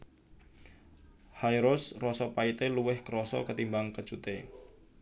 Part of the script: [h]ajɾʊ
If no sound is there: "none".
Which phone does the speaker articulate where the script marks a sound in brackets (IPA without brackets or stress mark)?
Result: h